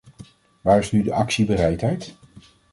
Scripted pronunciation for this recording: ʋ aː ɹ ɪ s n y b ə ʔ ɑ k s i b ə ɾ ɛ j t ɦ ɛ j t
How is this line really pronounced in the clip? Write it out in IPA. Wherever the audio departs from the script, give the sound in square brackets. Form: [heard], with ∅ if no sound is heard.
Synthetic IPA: ʋ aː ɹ ɪ s n y [d] ə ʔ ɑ k s i b ə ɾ ɛ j t ɦ ɛ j t